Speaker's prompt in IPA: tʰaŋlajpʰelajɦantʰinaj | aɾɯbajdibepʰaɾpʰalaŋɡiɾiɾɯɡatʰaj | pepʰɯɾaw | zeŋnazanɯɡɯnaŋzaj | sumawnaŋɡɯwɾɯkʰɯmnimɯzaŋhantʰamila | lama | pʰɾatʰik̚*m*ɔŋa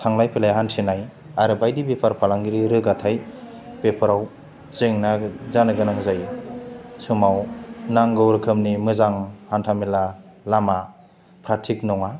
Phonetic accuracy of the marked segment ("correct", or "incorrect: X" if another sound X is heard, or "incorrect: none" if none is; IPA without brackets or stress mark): incorrect: n